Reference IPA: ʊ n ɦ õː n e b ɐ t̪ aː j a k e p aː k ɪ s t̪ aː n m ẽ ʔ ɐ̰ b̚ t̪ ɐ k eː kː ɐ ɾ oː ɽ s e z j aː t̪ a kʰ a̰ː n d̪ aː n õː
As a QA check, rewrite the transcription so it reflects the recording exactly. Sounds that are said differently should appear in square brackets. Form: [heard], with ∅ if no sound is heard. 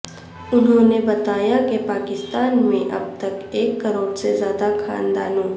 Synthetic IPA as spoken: ʊ n ɦ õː n e b ɐ t̪ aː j a k e p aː k ɪ s t̪ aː n m ẽ ʔ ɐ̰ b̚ t̪ ɐ k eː kː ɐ ɾ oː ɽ s e z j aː [d̪] a kʰ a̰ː n d̪ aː n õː